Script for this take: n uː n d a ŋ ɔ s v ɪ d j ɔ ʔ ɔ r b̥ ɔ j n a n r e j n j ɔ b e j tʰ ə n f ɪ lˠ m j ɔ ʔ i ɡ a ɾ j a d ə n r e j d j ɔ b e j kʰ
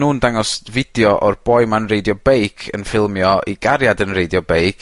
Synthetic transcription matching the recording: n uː n d a ŋ ɔ s v ɪ d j ɔ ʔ ɔ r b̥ ɔ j m a n r e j d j ɔ b e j kʰ ə n f ɪ lˠ m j ɔ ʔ i ɡ a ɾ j a d ə n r e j d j ɔ b e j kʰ